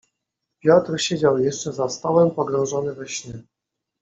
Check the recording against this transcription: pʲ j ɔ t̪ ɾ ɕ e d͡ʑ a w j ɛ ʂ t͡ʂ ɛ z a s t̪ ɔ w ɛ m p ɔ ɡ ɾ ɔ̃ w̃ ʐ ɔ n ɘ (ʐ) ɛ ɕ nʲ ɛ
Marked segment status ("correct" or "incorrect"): incorrect